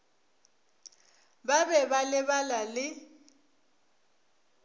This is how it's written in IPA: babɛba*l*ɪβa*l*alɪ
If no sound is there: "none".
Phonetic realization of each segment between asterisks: l, l

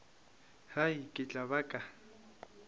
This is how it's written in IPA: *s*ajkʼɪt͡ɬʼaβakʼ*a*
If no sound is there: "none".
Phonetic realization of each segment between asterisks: h, a

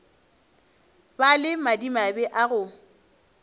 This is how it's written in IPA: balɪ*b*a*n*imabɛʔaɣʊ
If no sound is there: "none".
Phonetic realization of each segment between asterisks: m, d

